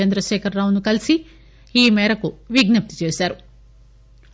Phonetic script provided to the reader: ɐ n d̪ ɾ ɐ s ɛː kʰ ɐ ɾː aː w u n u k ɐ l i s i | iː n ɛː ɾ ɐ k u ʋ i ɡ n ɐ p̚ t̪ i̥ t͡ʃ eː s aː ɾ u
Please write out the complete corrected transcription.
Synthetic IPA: ɐ n d̪ ɾ ɐ ʃ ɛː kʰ ɐ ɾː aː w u n u k ɐ l i s i | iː m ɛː ɾ ɐ k u ʋ i ɡ n ɐ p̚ t̪ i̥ t͡ʃ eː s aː ɾ u